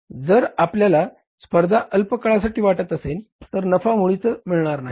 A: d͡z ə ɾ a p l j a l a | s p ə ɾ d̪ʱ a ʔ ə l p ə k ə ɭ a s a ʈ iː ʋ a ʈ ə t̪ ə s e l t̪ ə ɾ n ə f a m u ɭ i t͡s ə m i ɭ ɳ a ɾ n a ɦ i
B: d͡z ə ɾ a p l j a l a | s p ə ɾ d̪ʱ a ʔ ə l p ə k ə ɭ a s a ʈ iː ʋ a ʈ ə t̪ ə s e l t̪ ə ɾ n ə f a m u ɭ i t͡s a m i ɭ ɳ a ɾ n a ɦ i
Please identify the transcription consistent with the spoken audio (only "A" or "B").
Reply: A